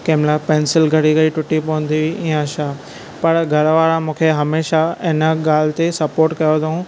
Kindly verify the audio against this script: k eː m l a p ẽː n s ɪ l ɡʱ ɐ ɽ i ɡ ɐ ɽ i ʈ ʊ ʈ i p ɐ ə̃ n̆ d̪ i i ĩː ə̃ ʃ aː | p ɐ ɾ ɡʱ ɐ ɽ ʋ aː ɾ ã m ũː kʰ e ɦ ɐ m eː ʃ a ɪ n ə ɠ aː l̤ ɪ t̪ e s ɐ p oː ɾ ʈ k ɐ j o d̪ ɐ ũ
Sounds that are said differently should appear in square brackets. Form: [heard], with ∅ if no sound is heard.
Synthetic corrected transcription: k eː m l a p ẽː n s ɪ l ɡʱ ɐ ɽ i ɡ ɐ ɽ i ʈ ʊ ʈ i p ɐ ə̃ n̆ d̪ i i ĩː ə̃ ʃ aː | p ɐ ɾ ɡʱ ɐ [ɾ] ʋ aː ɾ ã m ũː kʰ e ɦ ɐ m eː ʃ a ɪ n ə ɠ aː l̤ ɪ t̪ e s ɐ p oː ɾ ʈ k ɐ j o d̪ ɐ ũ